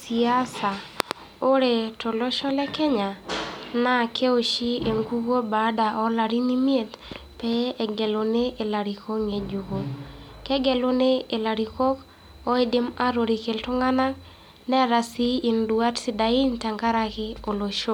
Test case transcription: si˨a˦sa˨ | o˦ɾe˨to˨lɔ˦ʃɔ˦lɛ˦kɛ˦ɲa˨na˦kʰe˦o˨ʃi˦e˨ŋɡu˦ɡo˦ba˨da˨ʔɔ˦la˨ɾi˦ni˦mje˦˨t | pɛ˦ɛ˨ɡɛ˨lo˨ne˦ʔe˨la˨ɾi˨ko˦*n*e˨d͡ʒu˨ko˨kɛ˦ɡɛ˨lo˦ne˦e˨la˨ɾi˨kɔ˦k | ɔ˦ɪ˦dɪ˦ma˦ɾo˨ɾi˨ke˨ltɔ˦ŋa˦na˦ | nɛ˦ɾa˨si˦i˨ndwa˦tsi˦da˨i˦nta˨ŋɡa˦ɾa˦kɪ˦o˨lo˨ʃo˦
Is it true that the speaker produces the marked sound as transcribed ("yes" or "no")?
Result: no